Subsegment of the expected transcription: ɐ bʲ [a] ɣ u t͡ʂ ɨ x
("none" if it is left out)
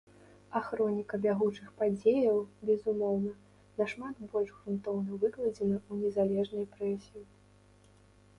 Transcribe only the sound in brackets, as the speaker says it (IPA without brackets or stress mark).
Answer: a